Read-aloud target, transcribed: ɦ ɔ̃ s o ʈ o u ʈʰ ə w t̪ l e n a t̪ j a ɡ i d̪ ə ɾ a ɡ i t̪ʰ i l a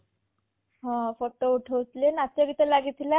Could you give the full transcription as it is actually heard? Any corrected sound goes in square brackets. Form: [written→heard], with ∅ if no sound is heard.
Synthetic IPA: ɦ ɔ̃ [s→f] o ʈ o u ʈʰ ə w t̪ l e n a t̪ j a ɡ i [d̪→t̪] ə [ɾ→l] a ɡ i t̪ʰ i l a